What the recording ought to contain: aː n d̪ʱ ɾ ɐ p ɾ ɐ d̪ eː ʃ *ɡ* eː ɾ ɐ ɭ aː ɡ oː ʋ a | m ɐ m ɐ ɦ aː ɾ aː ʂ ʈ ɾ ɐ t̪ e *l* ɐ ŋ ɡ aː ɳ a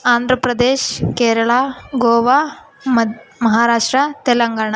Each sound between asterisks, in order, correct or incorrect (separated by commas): incorrect, correct